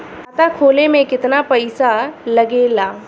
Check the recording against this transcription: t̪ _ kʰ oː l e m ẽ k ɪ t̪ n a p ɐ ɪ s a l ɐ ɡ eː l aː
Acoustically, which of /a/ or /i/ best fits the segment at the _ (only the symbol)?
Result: a